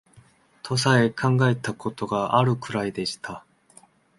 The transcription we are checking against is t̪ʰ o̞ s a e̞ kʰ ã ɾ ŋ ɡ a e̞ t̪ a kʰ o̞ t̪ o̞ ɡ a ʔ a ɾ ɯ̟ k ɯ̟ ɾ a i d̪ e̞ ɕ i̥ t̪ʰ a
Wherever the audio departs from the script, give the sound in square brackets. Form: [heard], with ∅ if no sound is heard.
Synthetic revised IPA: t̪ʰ o̞ s a e̞ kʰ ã [∅] ŋ ɡ a e̞ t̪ a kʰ o̞ t̪ o̞ ɡ a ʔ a ɾ ɯ̟ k ɯ̟ ɾ a i d̪ e̞ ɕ i̥ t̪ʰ a